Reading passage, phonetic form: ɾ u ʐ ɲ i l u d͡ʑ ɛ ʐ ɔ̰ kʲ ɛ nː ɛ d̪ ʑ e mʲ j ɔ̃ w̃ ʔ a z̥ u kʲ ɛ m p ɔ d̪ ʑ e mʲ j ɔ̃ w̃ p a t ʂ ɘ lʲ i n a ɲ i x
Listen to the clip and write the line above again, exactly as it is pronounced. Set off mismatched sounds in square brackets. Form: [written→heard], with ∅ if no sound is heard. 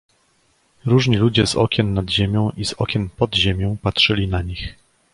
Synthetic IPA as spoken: ɾ u ʐ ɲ i l u d͡ʑ ɛ [ʐ→z] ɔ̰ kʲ ɛ nː [ɛ→a] d̪ ʑ e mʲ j ɔ̃ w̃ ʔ [a→i] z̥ [u→ɔ] kʲ ɛ [m→n] p ɔ d̪ ʑ e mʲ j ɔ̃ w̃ p a t ʂ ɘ lʲ i n a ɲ i x